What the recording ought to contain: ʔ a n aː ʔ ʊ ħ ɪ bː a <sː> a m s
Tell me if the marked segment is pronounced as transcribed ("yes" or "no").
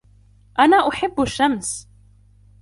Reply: no